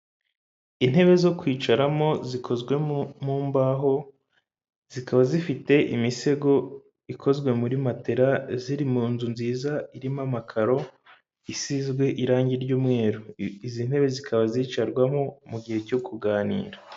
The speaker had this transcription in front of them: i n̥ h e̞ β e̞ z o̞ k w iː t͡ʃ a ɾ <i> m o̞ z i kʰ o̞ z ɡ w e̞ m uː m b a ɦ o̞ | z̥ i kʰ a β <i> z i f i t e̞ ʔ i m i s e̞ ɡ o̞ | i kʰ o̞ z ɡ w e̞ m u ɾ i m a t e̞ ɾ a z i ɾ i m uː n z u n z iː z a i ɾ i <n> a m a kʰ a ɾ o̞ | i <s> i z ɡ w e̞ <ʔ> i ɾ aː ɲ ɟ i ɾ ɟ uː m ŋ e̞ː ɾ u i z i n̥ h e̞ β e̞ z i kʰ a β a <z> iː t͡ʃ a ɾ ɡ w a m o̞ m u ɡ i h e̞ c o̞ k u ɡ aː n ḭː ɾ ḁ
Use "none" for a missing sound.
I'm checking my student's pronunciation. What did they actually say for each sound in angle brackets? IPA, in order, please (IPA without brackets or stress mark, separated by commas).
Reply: a, a, m, s, ʔ, z